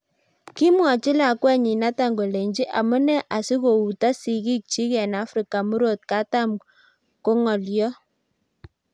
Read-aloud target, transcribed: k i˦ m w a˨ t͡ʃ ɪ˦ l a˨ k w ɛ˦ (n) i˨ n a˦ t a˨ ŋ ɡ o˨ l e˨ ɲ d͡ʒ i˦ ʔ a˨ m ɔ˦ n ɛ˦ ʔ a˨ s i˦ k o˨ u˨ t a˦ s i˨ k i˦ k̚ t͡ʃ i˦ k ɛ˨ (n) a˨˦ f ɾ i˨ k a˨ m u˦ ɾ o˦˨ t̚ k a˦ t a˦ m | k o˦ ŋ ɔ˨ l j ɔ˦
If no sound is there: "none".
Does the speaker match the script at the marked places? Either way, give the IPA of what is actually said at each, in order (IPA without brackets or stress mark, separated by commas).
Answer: ɲ, n